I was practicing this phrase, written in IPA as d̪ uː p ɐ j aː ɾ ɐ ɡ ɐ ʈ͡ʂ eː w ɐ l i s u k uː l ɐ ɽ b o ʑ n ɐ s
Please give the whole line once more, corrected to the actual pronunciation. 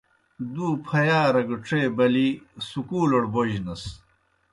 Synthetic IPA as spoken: d̪ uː pʰ ɐ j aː ɾ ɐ ɡ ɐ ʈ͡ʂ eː b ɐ l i s u k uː l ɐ ɽ b o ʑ n ɐ s

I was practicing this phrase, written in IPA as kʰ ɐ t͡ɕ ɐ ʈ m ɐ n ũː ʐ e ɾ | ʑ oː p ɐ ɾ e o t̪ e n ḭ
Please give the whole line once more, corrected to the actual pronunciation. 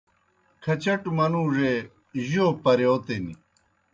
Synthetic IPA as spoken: kʰ ɐ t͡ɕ ɐ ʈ m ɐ n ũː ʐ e | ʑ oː p ɐ ɾ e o t̪ e n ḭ

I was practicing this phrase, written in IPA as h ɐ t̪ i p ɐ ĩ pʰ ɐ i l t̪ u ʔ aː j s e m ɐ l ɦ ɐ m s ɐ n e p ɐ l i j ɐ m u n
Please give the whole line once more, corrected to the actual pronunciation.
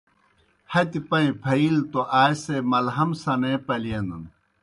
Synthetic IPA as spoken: h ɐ t̪ i p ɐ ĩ pʰ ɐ i l t̪ o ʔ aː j s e m ɐ l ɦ ɐ m s ɐ n e p ɐ l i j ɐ n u n

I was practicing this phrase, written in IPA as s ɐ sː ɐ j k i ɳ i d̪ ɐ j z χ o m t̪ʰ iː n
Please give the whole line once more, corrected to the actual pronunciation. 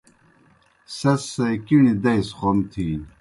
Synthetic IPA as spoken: s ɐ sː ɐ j k i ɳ i d̪ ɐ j s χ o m t̪ʰ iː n

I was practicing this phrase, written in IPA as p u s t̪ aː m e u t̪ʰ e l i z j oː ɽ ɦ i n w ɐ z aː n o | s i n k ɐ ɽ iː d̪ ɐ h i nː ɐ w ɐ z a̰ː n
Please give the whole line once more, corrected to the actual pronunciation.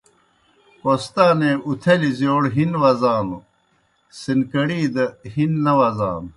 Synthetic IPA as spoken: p o s t̪ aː n e u t̪ʰ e l i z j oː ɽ ɦ i n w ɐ z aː n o | s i n k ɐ ɽ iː d̪ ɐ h i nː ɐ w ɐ z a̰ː n

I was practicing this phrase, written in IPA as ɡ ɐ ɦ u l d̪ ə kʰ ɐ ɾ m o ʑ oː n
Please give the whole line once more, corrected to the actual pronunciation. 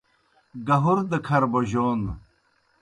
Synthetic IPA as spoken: ɡ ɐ ɦ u ɾ d̪ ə kʰ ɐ ɾ b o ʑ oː n

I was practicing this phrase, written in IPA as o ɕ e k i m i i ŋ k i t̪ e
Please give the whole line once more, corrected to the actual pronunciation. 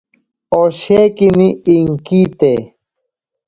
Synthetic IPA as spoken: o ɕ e k i n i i ŋ k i t̪ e

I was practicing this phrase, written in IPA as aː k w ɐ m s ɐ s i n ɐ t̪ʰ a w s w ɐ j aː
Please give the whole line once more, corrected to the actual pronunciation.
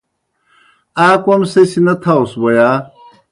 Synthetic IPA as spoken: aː k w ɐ m s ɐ s i n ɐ t̪ʰ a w s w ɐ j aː

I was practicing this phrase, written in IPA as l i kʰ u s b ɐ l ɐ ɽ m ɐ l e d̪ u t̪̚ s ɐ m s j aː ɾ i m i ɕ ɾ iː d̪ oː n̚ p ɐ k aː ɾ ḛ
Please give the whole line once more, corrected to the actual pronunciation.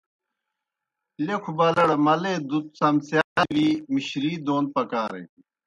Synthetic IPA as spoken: l e kʰ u b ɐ l ɐ ɽ m ɐ l e d̪ u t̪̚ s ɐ m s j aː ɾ i m i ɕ ɾ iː d̪ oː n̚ p ɐ k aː ɾ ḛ

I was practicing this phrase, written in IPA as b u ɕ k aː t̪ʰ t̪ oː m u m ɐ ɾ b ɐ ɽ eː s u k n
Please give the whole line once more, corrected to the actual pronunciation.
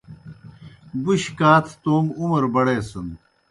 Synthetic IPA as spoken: b u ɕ k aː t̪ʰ t̪ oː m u m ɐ ɾ b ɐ ɽ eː s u n

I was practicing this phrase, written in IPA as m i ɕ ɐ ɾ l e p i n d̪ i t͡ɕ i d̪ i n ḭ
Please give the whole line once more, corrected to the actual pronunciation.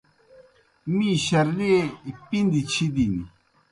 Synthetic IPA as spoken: m i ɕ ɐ ɾ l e p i n d̪ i t͡ɕʰ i d̪ i n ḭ

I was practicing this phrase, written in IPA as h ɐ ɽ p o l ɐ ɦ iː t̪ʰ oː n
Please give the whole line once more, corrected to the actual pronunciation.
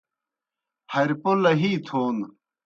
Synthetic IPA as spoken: h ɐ ɾ p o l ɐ ɦ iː t̪ʰ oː n

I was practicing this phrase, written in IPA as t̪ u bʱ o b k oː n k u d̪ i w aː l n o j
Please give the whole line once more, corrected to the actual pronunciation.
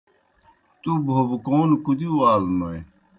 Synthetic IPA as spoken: t̪ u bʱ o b k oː n k u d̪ i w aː l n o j

